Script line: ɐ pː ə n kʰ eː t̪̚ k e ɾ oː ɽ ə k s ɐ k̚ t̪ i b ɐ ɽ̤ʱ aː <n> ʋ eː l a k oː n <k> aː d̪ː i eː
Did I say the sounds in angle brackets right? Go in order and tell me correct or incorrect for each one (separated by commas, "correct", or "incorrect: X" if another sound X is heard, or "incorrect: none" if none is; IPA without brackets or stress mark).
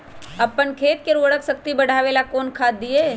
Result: incorrect: none, incorrect: kʰ